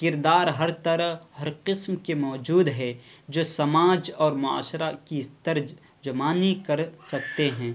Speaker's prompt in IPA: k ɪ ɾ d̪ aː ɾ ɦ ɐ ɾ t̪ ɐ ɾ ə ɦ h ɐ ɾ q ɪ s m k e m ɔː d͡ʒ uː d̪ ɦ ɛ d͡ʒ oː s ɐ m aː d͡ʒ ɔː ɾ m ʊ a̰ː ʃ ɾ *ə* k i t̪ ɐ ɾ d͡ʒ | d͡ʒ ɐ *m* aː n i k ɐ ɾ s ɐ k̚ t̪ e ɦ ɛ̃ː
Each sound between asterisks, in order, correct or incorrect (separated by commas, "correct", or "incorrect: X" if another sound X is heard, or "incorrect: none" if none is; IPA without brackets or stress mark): incorrect: a, correct